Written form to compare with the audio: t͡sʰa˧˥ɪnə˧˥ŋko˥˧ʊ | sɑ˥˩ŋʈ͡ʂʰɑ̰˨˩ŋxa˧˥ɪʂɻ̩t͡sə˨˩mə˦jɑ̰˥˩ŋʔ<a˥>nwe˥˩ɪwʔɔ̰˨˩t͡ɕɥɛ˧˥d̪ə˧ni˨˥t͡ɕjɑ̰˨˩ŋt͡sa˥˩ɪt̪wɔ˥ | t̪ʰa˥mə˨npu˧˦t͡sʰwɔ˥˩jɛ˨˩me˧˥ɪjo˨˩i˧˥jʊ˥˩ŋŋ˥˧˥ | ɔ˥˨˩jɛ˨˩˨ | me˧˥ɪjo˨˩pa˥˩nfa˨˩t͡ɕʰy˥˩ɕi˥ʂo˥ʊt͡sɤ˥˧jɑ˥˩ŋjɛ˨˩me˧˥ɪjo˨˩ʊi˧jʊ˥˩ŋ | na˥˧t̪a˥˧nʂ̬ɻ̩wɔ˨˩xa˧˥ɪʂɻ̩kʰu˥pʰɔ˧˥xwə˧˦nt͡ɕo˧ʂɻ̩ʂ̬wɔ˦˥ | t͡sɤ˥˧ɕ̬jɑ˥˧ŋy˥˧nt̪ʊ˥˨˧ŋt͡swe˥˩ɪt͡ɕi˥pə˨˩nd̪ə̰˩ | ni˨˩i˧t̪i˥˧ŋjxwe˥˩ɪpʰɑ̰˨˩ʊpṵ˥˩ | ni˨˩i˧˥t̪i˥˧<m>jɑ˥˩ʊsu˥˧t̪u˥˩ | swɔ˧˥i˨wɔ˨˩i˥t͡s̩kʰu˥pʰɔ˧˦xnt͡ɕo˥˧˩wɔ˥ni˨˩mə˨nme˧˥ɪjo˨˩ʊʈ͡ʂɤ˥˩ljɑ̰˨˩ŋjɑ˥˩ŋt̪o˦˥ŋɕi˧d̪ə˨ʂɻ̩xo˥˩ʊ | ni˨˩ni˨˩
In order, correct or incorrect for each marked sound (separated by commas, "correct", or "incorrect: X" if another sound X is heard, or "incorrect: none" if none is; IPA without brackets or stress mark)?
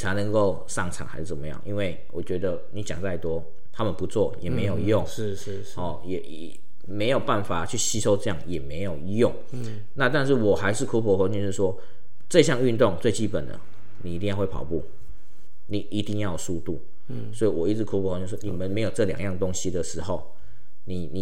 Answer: incorrect: i˥, incorrect: ŋ